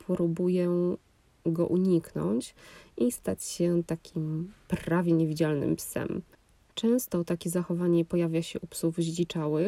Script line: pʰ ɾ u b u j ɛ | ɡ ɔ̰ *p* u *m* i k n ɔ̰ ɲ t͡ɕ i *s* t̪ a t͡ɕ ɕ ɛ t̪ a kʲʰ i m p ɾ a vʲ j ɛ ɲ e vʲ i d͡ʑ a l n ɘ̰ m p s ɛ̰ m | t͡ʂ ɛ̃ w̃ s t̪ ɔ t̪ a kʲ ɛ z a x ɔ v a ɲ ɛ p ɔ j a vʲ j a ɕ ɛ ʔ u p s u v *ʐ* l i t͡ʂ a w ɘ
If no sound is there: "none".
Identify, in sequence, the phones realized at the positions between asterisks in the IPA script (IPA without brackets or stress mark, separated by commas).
ʔ, ɲ, s, ʑ